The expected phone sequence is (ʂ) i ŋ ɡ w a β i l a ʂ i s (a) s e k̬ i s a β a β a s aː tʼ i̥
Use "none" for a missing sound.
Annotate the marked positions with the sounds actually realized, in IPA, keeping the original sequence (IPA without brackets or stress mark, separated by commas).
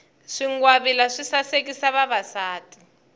ʂ, a